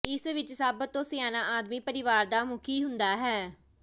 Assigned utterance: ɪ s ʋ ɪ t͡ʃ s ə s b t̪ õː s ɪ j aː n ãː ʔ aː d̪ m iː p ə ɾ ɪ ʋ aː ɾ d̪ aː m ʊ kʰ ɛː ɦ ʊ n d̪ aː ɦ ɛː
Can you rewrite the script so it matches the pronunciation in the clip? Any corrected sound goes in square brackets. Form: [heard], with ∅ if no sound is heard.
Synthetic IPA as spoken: ɪ s ʋ ɪ t͡ʃ s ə [∅] b t̪ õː s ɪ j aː n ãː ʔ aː d̪ m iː p ə ɾ ɪ ʋ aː ɾ d̪ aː m ʊ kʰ [iː] ɦ ʊ n d̪ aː ɦ ɛː